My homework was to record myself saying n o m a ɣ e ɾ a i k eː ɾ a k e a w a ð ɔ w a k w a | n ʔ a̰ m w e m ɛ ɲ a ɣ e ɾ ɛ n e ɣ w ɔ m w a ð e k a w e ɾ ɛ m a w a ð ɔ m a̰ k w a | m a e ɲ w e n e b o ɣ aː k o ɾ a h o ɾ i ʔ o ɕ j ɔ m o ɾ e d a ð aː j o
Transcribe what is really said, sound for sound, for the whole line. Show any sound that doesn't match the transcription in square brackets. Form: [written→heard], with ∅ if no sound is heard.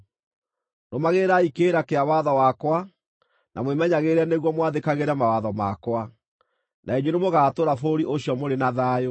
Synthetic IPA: n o m a ɣ e ɾ a i k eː ɾ a k e a w a ð ɔ w a k w a | n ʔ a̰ m w e m ɛ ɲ a ɣ e ɾ ɛ n e ɣ w ɔ m w a ð e k a [w→ɣ] e ɾ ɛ m a w a ð ɔ m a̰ k w a | [m→n] a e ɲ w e n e [b→m] o ɣ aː [k→t] o ɾ a [h→f] o ɾ i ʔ o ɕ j ɔ m o ɾ e [d→n] a ð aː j o